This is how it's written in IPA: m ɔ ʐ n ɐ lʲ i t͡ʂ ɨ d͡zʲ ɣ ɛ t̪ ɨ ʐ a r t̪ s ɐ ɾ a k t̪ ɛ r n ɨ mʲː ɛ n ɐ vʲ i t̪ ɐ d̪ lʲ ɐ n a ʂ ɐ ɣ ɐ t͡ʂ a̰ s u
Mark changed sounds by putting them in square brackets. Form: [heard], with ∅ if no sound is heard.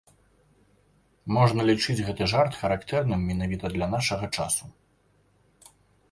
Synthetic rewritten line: m ɔ ʐ n ɐ lʲ i t͡ʂ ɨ d͡zʲ ɣ ɛ t̪ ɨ ʐ a r t̪ [x] ɐ ɾ a k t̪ ɛ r n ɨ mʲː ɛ n [a] vʲ i t̪ ɐ d̪ lʲ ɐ n a ʂ ɐ ɣ ɐ t͡ʂ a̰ s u